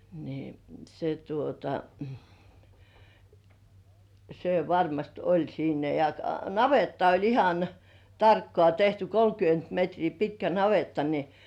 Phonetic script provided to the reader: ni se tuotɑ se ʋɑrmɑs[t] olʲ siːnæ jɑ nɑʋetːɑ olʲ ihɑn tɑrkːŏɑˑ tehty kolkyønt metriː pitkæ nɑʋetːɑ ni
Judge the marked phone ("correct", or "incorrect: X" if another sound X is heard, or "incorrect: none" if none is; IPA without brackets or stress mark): correct